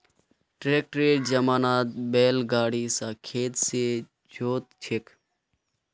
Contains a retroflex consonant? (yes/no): yes